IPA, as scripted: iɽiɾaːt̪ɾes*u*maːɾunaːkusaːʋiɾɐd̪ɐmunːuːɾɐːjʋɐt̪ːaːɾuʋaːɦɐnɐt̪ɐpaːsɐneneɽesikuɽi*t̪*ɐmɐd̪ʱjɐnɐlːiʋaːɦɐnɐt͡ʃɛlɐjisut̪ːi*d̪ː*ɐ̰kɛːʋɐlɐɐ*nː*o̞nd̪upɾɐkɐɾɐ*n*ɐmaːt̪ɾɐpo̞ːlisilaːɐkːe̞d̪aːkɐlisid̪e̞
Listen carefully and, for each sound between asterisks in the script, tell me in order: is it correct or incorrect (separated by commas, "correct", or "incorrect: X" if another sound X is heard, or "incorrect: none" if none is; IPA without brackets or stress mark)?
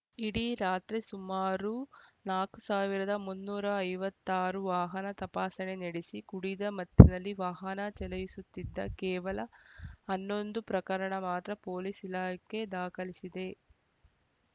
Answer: correct, incorrect: d̪, correct, correct, incorrect: ɳ